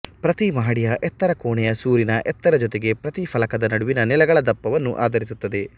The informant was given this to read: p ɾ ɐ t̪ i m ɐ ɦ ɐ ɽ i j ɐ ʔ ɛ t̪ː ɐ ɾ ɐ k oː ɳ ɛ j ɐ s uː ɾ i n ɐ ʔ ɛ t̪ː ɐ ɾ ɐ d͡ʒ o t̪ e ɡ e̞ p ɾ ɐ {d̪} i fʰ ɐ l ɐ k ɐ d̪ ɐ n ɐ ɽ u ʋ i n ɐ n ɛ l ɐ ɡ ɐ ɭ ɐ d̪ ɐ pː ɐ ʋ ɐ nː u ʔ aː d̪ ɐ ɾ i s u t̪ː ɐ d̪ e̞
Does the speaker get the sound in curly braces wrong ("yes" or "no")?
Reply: yes